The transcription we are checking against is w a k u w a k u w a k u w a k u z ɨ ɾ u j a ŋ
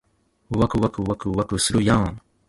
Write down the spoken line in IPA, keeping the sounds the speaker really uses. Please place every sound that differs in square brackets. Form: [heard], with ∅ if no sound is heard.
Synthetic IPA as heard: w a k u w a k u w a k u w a k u [s] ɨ ɾ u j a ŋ